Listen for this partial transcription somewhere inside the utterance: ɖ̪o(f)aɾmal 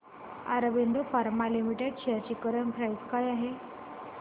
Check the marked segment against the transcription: correct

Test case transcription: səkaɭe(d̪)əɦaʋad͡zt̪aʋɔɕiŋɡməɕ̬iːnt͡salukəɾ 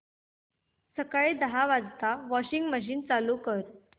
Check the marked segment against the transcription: correct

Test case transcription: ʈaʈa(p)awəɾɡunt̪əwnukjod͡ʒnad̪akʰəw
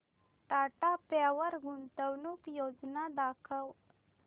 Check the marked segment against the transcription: correct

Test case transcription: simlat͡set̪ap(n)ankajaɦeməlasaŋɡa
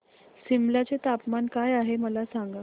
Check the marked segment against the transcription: incorrect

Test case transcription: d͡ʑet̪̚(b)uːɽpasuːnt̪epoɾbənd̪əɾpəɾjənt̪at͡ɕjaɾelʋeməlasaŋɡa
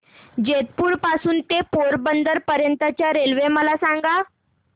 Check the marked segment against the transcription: incorrect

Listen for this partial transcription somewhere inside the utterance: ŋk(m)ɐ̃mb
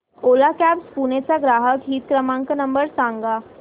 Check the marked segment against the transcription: incorrect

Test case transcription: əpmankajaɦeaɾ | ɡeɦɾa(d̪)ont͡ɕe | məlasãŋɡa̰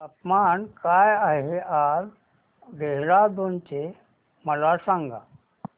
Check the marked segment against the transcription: correct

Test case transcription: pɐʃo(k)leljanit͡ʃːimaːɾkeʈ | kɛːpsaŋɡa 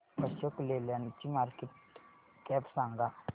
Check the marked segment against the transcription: correct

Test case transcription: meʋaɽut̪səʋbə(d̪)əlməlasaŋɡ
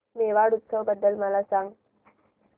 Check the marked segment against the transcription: incorrect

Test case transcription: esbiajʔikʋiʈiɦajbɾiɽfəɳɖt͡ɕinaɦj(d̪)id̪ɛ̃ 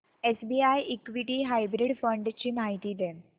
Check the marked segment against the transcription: incorrect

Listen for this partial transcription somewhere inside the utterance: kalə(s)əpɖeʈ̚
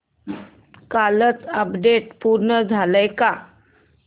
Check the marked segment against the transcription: incorrect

